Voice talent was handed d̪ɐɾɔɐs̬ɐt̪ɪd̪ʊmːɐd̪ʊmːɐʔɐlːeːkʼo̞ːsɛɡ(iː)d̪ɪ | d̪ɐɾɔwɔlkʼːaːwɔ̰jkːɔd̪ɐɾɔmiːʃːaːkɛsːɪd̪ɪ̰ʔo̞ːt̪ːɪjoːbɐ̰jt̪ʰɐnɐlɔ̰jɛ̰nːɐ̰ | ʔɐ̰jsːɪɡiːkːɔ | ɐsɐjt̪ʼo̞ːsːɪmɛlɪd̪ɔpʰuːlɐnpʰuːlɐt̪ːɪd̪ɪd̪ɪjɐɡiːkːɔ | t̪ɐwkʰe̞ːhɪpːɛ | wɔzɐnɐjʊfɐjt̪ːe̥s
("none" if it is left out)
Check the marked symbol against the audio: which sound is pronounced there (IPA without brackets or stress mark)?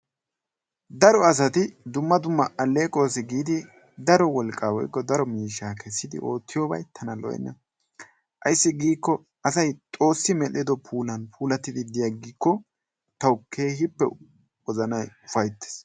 iː